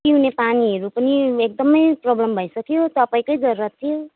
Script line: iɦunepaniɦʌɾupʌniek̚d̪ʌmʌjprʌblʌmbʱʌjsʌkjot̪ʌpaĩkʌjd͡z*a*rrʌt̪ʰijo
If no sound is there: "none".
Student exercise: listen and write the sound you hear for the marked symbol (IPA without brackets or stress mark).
ʌ